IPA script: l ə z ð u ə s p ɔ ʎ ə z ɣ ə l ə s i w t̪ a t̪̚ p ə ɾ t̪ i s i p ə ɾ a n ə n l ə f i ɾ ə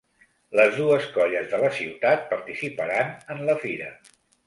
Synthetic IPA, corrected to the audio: l ə z ð u ə s k ɔ ʎ ə z ð ə l ə s i w t̪ a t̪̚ p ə ɾ t̪ i s i p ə ɾ a n ə n l ə f i ɾ ə